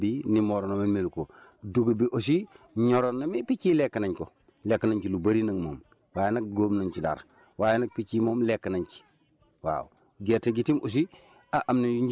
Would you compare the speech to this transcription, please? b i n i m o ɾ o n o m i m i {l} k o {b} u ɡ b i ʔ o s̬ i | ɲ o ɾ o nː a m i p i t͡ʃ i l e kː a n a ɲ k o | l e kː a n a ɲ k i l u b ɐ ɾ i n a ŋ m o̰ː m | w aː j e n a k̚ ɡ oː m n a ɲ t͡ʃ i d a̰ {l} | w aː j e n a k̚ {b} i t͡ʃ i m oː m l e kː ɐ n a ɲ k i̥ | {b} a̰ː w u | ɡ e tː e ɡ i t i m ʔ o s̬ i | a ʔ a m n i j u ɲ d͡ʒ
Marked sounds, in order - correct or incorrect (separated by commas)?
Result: correct, incorrect, incorrect, incorrect, incorrect